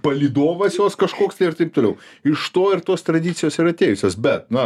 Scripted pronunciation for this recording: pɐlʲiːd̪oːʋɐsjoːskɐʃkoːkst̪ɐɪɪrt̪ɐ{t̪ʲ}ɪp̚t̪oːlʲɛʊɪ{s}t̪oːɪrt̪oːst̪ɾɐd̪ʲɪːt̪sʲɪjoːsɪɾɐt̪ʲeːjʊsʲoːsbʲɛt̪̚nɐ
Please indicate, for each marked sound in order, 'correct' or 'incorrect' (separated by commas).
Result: incorrect, incorrect